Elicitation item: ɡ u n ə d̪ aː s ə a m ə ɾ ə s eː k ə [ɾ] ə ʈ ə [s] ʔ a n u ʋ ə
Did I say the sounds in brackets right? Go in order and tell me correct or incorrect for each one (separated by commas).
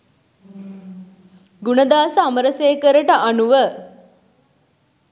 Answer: correct, incorrect